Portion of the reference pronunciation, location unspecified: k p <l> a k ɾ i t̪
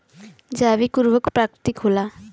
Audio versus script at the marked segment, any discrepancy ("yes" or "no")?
yes